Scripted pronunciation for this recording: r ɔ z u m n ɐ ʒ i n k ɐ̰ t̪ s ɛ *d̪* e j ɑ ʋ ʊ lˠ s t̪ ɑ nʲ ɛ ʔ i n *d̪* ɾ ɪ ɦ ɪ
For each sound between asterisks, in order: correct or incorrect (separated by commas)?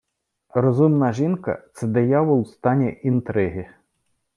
correct, incorrect